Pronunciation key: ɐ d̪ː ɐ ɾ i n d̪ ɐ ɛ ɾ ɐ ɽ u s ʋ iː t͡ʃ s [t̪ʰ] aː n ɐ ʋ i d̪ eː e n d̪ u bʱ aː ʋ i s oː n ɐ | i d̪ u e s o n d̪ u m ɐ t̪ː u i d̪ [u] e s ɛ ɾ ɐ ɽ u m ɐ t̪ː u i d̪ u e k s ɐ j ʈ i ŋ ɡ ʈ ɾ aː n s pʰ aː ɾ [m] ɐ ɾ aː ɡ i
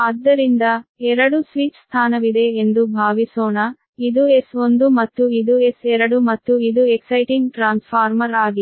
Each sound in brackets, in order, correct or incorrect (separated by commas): correct, correct, correct